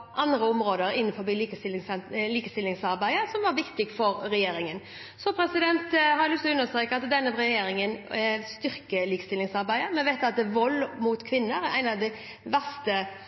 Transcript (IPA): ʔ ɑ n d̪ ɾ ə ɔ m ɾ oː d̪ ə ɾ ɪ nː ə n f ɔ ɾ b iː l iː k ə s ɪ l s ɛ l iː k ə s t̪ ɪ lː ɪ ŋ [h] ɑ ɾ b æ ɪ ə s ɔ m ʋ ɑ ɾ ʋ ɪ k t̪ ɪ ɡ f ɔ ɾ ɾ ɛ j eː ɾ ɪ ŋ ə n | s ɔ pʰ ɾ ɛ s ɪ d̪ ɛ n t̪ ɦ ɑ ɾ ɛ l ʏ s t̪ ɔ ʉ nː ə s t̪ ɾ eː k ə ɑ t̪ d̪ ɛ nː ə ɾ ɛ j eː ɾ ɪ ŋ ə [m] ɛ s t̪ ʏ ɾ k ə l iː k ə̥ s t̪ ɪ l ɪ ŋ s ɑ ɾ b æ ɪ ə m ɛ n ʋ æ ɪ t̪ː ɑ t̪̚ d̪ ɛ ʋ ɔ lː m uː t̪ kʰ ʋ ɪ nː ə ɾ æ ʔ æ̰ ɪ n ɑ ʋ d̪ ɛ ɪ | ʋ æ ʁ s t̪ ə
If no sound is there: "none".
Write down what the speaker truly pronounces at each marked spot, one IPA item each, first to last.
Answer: s, n

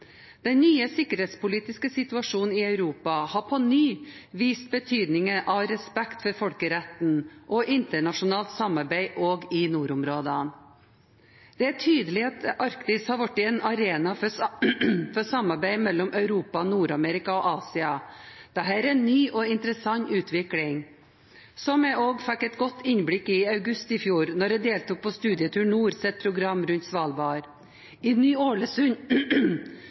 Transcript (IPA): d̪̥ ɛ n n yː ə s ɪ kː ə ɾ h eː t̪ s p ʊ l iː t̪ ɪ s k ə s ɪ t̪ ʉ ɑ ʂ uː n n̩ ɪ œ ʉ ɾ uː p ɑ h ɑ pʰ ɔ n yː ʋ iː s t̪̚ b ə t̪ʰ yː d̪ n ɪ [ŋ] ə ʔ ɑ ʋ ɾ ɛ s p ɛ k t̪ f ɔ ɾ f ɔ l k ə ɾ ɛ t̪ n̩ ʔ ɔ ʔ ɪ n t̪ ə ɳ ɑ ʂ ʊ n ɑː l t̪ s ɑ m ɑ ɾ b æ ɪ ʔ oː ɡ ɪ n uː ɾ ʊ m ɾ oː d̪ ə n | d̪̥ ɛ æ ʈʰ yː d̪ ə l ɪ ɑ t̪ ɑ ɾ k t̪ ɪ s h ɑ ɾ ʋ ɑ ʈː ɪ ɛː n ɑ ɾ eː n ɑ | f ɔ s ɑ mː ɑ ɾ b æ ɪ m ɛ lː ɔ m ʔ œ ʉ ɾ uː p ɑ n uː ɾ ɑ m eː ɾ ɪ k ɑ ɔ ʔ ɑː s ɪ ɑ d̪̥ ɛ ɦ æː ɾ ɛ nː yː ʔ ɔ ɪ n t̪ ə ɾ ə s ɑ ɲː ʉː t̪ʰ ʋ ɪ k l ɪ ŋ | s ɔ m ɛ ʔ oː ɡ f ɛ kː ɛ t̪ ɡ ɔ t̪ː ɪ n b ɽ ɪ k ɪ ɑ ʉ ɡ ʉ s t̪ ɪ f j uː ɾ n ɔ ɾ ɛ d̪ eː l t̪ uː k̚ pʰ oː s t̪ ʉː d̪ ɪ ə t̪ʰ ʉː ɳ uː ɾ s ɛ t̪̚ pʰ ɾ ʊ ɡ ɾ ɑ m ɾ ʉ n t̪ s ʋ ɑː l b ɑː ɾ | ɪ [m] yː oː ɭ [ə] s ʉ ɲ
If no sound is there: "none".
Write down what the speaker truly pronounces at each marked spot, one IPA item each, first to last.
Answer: ŋ, n, ə

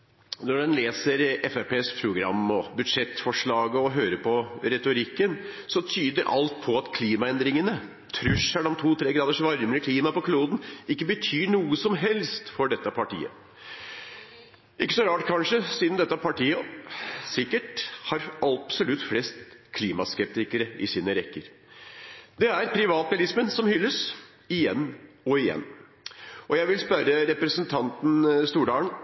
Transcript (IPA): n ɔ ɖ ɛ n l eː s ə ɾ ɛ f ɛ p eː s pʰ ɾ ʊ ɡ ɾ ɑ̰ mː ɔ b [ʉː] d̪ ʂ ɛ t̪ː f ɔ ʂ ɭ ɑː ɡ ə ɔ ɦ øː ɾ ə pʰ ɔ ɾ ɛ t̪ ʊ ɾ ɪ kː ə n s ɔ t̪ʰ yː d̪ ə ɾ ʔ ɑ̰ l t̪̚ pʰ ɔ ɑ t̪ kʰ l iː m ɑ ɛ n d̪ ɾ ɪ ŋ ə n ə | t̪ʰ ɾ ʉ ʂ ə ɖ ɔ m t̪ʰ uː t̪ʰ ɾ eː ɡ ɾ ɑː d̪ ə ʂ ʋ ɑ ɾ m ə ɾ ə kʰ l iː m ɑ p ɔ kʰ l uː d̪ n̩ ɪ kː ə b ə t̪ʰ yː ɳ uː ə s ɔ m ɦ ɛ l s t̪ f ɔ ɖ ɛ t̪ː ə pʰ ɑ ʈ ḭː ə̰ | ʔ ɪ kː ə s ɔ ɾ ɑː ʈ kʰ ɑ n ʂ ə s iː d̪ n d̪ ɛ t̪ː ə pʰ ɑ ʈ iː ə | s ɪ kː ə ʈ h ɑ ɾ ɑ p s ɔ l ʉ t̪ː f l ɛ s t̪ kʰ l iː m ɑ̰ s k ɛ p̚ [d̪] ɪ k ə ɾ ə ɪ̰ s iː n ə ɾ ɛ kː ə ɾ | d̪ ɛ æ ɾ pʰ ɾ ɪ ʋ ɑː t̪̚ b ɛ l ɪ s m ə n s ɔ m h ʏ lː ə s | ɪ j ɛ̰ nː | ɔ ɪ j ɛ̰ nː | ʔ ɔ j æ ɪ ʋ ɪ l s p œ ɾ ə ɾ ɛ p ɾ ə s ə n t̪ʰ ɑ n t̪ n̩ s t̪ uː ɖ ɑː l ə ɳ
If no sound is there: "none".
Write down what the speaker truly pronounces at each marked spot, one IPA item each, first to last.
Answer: ʉ, t̪

